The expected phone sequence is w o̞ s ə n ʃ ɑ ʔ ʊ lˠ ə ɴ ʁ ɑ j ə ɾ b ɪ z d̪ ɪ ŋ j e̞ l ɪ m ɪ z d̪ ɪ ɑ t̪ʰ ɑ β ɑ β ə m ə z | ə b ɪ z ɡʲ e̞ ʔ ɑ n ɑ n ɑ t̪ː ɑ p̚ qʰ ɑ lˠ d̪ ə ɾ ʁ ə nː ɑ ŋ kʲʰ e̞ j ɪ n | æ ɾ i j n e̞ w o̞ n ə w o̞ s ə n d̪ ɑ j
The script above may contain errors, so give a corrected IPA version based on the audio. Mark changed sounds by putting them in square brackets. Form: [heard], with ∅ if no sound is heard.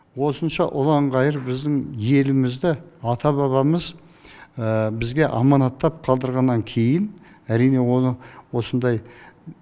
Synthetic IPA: w o̞ s ə n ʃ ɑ ʔ ʊ lˠ [ɑ] ɴ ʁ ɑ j ə ɾ b ɪ z d̪ ɪ ŋ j e̞ l ɪ m ɪ z d̪ ɪ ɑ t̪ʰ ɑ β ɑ β [ɑ] m ə z | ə b ɪ z ɡʲ e̞ ʔ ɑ [m] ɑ n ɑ t̪ː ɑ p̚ qʰ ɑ lˠ d̪ ə ɾ ʁ [ɑ] nː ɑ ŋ kʲʰ e̞ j ɪ n | æ ɾ i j n e̞ w o̞ n ə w o̞ s ə n d̪ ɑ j